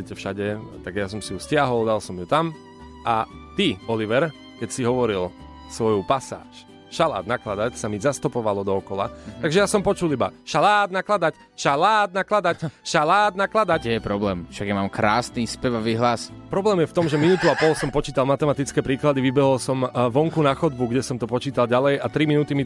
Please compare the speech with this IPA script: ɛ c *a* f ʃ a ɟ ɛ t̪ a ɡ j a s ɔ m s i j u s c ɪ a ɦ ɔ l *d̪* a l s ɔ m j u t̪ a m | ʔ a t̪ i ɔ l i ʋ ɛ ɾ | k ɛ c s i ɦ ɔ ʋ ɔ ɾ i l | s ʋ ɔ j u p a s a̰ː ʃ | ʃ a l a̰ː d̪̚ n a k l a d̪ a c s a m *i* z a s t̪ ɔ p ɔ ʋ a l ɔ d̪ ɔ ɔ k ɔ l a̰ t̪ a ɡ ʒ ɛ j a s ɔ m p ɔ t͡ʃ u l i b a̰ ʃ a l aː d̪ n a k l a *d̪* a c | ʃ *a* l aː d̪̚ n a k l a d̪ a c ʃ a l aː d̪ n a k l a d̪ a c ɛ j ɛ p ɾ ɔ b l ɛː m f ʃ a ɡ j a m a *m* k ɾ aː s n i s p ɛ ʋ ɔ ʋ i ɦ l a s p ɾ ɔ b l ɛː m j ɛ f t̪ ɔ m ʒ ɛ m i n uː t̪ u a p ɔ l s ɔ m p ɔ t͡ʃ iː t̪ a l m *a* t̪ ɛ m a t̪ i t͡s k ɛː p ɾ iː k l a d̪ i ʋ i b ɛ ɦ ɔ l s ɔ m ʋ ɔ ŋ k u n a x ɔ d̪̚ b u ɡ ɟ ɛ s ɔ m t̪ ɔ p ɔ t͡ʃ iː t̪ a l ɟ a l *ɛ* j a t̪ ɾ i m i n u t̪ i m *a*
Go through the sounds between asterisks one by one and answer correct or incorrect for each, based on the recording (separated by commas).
incorrect, correct, correct, correct, correct, correct, correct, correct, incorrect